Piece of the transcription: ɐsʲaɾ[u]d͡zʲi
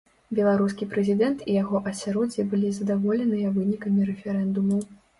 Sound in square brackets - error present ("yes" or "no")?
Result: yes